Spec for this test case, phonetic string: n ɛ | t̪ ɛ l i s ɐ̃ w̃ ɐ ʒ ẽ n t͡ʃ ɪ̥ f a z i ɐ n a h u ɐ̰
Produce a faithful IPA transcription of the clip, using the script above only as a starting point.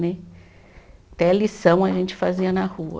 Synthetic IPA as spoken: n ɛ | t̪ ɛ l i s ɐ̃ w̃ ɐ ʒ ẽ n t͡ʃ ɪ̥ f a z i ɐ n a h u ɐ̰